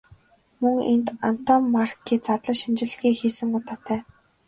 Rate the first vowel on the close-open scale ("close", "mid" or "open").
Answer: mid